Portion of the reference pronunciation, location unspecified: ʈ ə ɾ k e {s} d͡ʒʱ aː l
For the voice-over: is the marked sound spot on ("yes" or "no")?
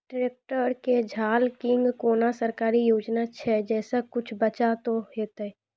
no